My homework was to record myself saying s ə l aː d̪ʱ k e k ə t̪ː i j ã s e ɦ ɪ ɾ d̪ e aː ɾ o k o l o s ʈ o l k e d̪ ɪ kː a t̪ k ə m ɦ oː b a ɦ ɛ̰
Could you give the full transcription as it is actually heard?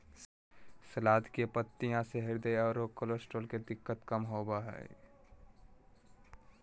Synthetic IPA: s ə l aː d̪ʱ k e p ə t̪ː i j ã s e ɦ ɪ ɾ d̪ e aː ɾ o k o l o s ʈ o l k e d̪ ɪ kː ə t̪ k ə m ɦ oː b a ɦ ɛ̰